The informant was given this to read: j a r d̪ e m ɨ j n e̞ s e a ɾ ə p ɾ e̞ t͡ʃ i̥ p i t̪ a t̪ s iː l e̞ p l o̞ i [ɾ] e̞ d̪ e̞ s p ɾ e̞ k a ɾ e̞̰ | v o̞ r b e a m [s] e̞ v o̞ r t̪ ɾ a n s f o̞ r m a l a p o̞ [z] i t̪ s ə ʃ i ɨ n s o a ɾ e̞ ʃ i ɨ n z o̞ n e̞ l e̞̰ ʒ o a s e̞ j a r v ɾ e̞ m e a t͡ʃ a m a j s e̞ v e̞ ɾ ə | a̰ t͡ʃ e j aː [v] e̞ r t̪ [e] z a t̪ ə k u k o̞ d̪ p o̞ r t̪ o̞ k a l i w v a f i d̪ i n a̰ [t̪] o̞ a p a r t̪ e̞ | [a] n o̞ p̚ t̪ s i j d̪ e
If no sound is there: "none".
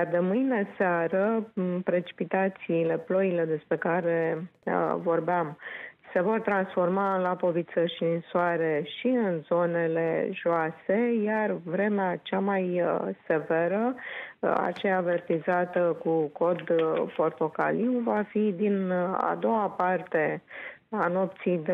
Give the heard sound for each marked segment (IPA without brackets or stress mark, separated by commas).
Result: l, s, v, v, i, d̪, a